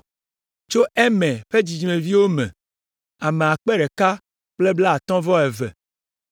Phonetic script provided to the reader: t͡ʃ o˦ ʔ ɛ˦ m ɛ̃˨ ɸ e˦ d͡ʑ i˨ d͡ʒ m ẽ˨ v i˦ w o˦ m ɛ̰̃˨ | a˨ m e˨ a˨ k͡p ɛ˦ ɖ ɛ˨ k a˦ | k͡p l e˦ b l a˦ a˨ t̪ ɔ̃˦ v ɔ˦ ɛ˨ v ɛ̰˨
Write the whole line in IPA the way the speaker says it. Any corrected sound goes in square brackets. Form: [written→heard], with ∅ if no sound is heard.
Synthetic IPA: t͡ʃ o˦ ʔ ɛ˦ m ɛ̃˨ ɸ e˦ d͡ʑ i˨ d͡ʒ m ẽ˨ v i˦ w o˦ m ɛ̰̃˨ | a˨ m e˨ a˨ k͡p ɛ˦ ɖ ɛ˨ k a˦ | k͡p l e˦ b l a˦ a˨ t̪ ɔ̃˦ v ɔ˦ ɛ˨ v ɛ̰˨

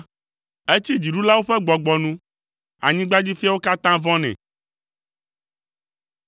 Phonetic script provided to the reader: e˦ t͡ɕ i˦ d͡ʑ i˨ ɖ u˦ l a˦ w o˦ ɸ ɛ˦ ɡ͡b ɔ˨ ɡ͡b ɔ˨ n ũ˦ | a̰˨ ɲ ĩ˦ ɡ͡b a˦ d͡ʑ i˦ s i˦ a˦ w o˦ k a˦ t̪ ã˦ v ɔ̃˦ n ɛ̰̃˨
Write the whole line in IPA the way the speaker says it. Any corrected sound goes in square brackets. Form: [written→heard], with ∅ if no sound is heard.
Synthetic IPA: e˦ t͡ɕ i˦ d͡ʑ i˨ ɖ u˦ l a˦ w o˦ ɸ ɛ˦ ɡ͡b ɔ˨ ɡ͡b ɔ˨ n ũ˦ | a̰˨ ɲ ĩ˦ ɡ͡b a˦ d͡ʑ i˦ [s→f] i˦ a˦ w o˦ k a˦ t̪ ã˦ v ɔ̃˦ n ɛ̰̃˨

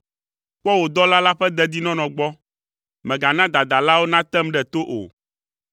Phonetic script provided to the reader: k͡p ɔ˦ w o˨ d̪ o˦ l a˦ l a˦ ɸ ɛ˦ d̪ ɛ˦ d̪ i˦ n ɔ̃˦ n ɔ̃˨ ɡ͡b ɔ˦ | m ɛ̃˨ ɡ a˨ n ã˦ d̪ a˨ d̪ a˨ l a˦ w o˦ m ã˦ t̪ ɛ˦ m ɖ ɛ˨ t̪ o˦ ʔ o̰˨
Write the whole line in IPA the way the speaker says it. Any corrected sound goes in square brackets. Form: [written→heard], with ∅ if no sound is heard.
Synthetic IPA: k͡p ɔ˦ w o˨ d̪ [o˦→ɔ˦] l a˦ l a˦ ɸ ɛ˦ d̪ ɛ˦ d̪ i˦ n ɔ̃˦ n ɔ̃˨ ɡ͡b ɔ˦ | m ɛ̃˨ ɡ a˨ n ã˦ d̪ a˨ d̪ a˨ l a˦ w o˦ [m→n] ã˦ t̪ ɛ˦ m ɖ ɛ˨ t̪ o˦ ʔ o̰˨

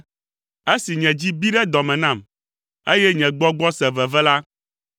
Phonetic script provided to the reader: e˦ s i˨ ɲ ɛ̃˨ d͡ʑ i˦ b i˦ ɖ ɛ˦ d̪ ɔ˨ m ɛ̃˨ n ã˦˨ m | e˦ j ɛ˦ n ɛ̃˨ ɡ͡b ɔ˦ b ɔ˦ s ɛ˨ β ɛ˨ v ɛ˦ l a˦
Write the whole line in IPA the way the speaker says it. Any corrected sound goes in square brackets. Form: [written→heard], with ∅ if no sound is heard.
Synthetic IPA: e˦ s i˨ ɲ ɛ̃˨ d͡ʑ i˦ b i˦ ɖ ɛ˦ d̪ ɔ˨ m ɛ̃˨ n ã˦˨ m | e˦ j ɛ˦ [n→ɲ] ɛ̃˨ ɡ͡b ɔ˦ [b→ɡ͡b] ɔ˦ s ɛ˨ [β→v] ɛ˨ v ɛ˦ l a˦

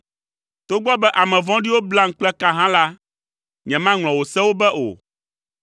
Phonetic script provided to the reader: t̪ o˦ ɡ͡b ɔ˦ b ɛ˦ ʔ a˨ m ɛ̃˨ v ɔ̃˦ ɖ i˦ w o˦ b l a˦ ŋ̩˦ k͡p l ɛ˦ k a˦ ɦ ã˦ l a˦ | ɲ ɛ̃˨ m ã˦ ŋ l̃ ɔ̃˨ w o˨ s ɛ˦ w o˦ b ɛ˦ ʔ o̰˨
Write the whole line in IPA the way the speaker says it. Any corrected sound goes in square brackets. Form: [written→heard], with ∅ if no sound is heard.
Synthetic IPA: t̪ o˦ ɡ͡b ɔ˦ b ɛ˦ ʔ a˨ m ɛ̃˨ v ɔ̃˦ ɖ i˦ w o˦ b l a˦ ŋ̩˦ k͡p l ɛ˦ k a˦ ɦ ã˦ l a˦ | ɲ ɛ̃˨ m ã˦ ŋ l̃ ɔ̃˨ w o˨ s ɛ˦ w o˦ b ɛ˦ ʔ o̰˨

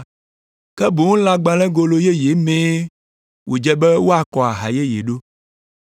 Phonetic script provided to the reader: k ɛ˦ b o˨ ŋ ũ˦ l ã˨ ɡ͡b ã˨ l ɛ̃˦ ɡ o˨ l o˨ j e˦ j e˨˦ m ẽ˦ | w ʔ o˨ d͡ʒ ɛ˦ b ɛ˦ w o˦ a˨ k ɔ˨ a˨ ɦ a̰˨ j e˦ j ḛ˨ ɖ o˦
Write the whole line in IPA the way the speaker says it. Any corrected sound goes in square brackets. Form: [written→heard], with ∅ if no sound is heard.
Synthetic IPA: k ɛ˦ b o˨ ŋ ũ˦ l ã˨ ɡ͡b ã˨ l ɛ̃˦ ɡ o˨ l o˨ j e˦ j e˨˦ m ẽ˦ | w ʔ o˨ d͡ʒ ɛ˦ b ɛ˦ w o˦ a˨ k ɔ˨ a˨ ɦ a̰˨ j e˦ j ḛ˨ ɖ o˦

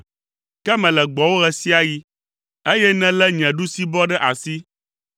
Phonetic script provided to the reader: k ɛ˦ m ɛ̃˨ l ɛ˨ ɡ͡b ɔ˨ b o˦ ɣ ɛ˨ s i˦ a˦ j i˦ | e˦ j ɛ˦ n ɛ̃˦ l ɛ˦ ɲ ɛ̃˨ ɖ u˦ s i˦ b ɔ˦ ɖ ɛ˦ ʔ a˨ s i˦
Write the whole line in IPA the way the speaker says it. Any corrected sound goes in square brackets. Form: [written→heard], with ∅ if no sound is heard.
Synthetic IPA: k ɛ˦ m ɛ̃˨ l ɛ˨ ɡ͡b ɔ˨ [b→w] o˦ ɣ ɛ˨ s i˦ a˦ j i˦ | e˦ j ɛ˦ n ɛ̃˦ l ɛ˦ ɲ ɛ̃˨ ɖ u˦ s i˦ b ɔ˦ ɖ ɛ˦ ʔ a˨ s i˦

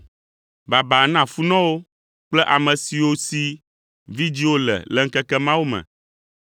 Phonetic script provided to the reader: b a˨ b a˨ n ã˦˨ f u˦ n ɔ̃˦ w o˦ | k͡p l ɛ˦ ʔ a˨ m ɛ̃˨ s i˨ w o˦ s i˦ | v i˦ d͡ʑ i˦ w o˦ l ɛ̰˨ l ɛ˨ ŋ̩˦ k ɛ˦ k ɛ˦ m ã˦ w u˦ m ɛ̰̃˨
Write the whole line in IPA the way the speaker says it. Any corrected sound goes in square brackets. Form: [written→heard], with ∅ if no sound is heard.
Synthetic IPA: b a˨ b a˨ n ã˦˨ f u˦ n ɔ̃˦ w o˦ | k͡p l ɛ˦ ʔ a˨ m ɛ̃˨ s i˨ w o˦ s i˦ | v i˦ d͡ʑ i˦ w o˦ l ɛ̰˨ l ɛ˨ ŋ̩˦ k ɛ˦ k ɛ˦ m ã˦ w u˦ m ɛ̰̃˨

